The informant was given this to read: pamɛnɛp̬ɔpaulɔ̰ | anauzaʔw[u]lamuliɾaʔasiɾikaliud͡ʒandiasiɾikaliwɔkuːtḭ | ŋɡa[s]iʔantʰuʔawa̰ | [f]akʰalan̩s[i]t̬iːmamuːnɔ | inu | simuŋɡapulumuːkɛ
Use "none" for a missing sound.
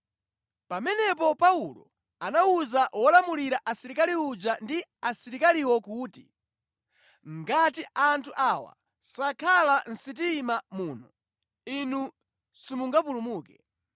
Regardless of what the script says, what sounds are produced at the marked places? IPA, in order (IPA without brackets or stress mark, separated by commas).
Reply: ɔ, t, s, i